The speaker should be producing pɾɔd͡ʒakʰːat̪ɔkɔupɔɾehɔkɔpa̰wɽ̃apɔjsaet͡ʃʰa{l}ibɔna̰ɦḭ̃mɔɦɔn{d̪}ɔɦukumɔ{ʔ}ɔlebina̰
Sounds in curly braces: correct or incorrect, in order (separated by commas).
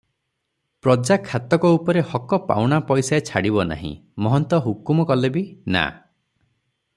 incorrect, incorrect, incorrect